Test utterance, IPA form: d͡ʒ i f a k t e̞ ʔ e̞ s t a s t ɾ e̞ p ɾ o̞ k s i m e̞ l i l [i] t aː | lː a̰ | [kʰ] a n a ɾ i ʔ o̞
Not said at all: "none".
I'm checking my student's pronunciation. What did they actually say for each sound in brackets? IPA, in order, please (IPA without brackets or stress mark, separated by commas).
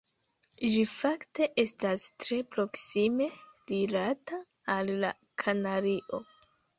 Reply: a, kʰ